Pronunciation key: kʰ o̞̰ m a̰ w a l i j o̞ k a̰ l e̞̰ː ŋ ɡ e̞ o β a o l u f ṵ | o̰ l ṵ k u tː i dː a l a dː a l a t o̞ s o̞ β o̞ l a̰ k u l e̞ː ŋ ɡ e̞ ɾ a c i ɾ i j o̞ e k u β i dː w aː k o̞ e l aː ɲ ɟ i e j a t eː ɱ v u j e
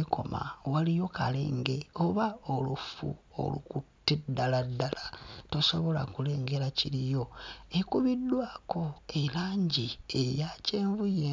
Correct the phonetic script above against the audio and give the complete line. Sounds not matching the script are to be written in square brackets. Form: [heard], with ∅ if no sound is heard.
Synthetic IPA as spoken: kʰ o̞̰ m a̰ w a l i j o̞ k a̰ l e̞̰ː ŋ ɡ e̞ o β a o l u f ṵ | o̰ l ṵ k u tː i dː a l a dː a l a t o̞ s o̞ β o̞ l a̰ k u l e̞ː ŋ ɡ e̞ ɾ a c i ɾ i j o̞ e k u β i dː w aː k o̞ e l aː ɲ ɟ i e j a [c] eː ɱ v u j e